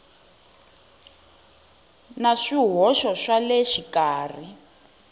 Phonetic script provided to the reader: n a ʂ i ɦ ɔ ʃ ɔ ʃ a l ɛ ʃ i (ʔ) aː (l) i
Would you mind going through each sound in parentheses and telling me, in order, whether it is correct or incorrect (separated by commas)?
incorrect, incorrect